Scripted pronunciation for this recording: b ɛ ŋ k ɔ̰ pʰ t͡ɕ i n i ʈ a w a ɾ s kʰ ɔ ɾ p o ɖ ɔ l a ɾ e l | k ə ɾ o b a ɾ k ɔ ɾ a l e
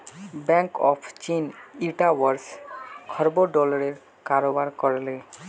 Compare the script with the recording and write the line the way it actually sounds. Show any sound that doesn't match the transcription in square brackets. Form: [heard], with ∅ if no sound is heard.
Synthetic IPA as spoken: b ɛ ŋ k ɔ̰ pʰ t͡ɕ i n i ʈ a w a ɾ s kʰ ɔ ɾ [b] o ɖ ɔ l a ɾ e [ɾ] | k [a] ɾ o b a ɾ k ɔ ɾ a l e

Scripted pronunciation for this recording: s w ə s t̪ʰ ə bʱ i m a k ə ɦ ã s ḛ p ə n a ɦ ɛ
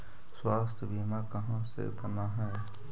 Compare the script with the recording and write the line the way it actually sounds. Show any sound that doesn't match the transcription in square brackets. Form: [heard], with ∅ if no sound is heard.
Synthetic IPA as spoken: s w [a] s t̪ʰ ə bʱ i m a k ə ɦ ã s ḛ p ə n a ɦ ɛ

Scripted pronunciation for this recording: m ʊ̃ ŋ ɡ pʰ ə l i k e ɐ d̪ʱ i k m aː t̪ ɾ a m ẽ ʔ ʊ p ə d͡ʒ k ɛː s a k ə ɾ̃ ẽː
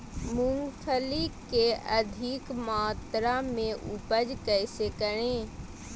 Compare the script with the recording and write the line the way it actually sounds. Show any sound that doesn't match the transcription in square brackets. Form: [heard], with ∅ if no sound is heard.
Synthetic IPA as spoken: m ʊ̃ ŋ ɡ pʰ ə l i k e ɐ d̪ʱ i k m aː t̪ ɾ a m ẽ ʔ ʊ p ə d͡ʒ k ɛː s [e] k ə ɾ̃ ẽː

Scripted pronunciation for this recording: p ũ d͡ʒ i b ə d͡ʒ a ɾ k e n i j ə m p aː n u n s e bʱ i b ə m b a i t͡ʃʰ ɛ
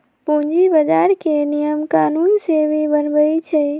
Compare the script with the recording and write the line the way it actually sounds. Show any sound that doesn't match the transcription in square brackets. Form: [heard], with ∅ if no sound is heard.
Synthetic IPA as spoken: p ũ d͡ʒ i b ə d͡ʒ a ɾ k e n i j ə m [k] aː n u n s e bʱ i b ə [n] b [ə] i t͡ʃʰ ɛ

